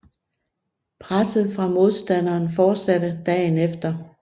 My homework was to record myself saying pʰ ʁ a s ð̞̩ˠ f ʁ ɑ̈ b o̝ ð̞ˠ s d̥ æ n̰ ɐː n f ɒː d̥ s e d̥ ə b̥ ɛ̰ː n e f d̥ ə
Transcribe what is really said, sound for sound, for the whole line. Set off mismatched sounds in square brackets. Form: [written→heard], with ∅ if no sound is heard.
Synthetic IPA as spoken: pʰ ʁ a s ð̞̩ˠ f ʁ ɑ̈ [b→m] o̝ ð̞ˠ s d̥ æ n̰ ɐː n f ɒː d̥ s [e→æ] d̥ ə [b̥→d̥] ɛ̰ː n e f d̥ [ə→ɐ]